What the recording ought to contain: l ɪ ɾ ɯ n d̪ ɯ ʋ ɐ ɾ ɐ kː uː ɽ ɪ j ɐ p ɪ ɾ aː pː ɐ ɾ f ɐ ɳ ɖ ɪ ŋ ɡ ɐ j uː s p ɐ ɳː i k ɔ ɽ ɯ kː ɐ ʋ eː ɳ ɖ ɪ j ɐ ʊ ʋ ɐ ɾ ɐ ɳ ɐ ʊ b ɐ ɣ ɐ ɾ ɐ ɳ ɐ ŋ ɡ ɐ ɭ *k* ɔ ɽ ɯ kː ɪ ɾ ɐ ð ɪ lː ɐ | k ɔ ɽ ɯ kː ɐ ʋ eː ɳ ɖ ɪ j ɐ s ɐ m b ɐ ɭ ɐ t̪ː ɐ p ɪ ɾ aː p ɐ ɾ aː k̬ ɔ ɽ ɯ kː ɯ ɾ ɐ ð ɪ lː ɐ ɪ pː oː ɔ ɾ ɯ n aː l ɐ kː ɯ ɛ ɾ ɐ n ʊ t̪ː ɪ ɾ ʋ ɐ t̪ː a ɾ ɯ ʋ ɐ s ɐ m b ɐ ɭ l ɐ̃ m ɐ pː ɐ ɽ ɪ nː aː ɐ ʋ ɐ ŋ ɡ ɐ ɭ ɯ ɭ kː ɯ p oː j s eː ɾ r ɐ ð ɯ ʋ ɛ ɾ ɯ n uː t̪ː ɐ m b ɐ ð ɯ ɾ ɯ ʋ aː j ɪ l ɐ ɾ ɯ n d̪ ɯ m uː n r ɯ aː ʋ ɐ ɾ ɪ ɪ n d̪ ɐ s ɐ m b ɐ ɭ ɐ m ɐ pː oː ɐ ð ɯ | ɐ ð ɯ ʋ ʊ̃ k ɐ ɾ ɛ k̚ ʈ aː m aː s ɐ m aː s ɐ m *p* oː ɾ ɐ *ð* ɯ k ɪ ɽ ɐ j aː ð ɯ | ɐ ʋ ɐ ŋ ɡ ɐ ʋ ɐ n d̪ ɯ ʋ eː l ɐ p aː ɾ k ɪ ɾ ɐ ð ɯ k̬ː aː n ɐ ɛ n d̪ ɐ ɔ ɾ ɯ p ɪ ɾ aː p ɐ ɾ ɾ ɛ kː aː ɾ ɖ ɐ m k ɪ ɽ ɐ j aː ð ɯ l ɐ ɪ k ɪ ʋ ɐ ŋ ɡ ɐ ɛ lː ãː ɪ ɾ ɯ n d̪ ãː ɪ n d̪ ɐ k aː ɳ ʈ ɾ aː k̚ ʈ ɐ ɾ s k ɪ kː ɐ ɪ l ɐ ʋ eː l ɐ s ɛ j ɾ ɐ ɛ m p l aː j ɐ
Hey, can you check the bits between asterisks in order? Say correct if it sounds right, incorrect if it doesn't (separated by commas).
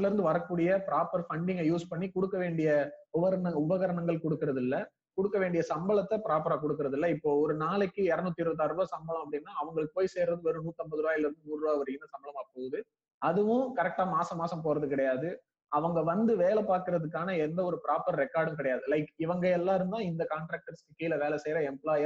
correct, correct, correct